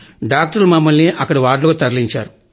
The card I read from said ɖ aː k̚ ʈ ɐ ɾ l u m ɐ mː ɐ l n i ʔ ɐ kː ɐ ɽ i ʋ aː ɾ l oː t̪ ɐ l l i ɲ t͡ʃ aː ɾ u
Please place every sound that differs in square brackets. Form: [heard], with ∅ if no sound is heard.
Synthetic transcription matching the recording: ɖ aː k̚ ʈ ɐ ɾ l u m ɐ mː ɐ l n i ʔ ɐ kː ɐ ɽ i ʋ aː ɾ l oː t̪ ɐ [ɾ] l i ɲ t͡ʃ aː ɾ u